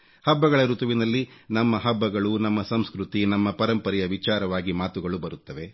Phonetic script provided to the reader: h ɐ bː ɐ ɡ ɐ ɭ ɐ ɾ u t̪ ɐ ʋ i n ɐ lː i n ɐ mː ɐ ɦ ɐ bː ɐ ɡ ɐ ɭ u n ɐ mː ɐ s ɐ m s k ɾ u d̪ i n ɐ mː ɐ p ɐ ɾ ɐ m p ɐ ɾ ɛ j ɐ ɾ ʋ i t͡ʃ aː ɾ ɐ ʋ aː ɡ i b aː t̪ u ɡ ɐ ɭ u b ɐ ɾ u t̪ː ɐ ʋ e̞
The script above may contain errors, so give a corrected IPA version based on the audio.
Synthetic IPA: h ɐ bː ɐ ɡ ɐ ɭ ɐ ɾ u t̪ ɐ ʋ i n ɐ lː i n ɐ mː ɐ ɦ ɐ bː ɐ ɡ ɐ ɭ u n ɐ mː ɐ s ɐ m s k ɾ u t̪ i n ɐ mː ɐ p ɐ ɾ ɐ m p ɐ ɾ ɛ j ɐ ʋ i t͡ʃ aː ɾ ɐ ʋ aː ɡ i m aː t̪ u ɡ ɐ ɭ u b ɐ ɾ u t̪ː ɐ ʋ e̞